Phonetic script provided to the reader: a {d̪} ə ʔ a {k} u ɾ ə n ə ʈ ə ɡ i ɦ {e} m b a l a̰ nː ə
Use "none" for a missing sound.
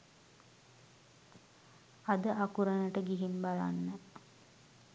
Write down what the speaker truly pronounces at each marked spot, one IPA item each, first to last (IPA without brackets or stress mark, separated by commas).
d̪, k, i